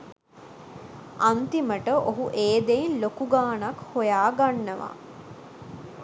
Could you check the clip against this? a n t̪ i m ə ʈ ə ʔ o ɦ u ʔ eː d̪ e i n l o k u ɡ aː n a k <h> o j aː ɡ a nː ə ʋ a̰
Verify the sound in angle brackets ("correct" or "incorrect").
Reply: correct